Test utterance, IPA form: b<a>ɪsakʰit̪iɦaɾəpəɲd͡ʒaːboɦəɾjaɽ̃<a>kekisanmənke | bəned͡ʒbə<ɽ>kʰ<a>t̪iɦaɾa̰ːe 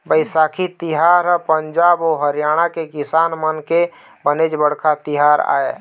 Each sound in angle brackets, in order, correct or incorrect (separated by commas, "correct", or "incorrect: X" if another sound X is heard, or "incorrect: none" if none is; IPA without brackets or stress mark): incorrect: ə, correct, correct, correct